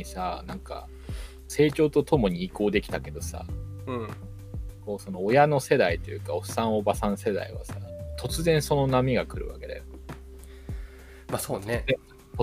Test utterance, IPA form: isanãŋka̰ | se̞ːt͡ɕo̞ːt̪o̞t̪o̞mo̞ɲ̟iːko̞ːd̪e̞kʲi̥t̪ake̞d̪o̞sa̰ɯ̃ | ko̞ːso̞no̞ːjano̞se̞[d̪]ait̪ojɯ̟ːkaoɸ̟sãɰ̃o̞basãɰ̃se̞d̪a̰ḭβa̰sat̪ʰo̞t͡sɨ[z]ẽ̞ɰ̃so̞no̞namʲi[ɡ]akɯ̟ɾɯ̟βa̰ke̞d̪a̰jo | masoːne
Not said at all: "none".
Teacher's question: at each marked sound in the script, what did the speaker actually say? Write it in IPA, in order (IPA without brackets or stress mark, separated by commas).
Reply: d̪, z, ɡ